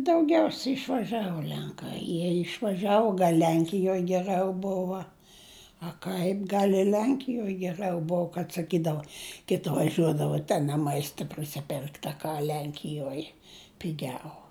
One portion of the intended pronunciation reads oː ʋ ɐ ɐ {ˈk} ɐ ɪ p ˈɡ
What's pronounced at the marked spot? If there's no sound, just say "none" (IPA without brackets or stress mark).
k